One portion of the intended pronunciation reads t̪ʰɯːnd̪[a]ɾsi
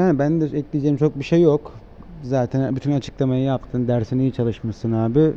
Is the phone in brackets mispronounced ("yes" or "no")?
yes